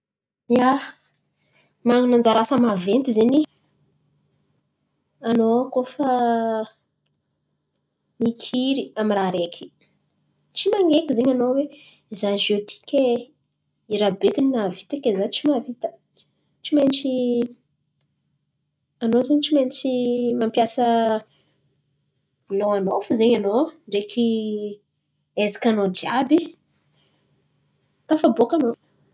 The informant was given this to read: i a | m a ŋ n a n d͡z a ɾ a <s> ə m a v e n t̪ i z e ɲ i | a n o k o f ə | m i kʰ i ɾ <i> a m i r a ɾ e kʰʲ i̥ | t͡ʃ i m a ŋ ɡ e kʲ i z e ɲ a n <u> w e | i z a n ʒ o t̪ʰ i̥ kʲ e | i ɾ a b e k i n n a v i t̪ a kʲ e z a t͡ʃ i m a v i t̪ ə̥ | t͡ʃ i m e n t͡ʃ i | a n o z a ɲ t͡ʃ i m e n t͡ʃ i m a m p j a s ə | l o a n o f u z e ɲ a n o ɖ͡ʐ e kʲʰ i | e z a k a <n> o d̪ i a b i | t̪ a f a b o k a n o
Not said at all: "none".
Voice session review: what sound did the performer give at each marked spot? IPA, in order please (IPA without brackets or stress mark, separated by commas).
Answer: s, i, o, n